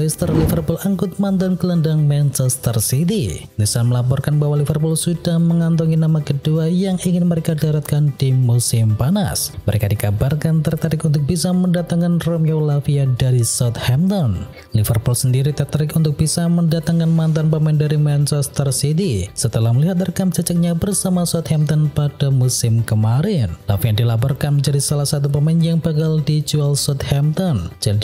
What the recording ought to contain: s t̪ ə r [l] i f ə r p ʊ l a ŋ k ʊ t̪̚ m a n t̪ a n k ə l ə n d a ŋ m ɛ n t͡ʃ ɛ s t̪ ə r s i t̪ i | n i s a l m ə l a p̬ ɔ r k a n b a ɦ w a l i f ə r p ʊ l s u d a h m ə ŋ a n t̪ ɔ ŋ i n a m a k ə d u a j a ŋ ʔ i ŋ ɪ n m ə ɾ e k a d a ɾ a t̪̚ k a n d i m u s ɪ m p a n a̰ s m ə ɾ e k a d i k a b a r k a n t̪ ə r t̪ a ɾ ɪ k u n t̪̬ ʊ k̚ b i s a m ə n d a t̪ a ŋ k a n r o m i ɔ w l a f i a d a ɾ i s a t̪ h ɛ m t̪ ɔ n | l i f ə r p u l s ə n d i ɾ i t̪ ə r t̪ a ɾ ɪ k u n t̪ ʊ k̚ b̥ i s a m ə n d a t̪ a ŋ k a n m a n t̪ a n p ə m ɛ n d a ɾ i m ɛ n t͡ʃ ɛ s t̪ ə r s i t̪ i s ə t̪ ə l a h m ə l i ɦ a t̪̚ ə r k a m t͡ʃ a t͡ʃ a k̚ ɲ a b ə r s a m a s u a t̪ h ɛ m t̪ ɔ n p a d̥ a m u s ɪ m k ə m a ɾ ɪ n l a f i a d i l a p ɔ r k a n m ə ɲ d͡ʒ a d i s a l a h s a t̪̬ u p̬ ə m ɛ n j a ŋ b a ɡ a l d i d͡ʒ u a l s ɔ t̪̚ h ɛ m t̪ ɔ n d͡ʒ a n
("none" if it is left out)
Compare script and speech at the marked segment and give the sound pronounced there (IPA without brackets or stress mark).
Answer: l